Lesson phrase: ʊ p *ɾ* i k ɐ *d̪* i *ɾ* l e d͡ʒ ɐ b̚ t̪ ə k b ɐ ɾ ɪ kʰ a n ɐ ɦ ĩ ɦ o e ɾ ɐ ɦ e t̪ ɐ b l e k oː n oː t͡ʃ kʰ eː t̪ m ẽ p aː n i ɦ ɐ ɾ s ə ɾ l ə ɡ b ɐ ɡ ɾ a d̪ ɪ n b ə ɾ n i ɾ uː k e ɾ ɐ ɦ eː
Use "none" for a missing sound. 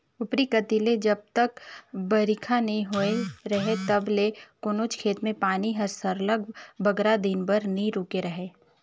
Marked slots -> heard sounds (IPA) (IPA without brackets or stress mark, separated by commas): ɾ, t̪, none